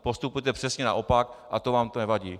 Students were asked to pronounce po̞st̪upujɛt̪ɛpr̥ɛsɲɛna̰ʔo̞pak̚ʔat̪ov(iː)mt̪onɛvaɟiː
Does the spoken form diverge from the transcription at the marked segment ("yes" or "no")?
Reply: yes